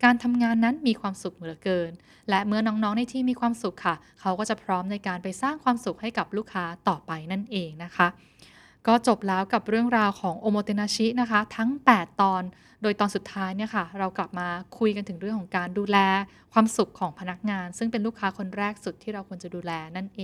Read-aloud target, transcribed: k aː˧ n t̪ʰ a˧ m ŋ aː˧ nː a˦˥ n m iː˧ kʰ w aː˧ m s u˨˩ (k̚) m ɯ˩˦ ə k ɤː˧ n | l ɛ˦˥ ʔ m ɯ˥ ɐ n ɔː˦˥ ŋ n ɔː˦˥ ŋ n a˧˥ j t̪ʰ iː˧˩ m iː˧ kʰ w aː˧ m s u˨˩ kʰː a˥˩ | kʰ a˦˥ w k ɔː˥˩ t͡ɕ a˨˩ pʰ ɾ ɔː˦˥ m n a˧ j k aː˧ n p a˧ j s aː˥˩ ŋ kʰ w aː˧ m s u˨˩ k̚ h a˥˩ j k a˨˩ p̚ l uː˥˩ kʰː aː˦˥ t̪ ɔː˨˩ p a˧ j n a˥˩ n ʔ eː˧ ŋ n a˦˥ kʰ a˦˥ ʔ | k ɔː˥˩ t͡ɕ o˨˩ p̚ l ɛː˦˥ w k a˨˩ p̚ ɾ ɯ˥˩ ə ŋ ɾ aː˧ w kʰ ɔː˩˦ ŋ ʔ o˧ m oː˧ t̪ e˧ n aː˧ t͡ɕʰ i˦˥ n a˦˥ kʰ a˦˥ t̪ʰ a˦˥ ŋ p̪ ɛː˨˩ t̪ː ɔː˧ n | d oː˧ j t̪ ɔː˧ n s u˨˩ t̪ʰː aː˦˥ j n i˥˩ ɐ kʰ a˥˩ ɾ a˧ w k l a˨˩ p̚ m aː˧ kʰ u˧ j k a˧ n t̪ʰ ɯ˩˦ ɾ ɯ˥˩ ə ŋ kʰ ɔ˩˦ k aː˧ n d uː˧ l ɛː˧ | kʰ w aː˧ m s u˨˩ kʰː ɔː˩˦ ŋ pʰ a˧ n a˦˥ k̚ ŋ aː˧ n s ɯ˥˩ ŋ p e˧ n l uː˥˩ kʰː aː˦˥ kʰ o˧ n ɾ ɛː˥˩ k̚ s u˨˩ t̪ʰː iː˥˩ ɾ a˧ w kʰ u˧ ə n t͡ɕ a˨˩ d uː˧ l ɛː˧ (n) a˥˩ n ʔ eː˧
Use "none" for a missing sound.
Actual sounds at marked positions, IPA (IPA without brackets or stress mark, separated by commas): k̚, n